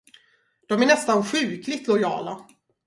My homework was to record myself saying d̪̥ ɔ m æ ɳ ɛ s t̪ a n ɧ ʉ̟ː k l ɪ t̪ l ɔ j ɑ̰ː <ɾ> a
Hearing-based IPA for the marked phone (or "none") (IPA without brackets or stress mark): l